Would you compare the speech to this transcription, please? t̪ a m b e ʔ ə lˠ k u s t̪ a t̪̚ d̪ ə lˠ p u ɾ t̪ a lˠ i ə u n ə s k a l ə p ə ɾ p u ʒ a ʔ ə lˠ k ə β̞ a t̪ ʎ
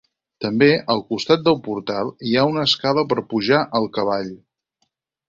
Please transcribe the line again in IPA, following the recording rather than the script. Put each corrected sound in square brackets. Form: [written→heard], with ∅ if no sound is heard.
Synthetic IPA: t̪ [a→ə] m b e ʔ ə lˠ k u s t̪ a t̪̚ d̪ ə lˠ p u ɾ t̪ a lˠ i [ə→a] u n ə s k a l ə p ə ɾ p u ʒ a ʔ ə lˠ k ə β̞ a [t̪→∅] ʎ